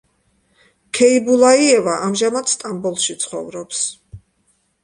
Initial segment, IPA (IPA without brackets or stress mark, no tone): kʰ